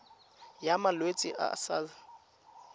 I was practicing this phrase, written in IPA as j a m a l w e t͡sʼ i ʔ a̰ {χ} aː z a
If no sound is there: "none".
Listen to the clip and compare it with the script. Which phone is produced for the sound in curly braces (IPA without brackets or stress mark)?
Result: s